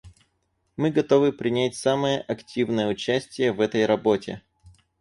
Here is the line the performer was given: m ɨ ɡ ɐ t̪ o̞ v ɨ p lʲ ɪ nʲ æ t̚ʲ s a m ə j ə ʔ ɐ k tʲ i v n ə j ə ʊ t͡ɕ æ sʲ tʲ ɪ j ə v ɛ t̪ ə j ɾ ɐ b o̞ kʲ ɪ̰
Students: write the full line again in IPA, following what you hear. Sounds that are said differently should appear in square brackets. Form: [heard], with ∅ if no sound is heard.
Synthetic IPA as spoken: m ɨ ɡ ɐ t̪ o̞ v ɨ p [ɾʲ] ɪ nʲ æ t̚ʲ s a m ə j ə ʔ ɐ k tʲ i v n ə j ə ʊ t͡ɕ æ sʲ tʲ ɪ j ə v ɛ t̪ ə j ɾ ɐ b o̞ [tʲ] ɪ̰